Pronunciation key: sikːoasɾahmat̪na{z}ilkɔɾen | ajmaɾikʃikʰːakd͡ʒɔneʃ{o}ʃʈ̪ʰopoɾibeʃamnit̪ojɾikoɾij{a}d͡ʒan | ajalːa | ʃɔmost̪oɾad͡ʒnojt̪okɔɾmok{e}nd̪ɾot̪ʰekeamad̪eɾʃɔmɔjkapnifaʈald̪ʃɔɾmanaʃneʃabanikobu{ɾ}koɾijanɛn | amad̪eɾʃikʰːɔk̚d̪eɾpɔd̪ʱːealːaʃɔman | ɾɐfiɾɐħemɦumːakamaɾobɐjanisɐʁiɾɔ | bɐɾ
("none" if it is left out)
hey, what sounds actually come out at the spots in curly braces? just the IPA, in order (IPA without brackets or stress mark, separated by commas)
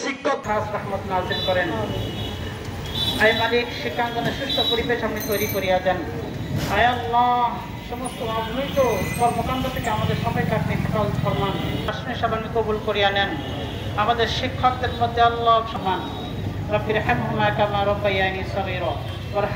z, u, a, a, l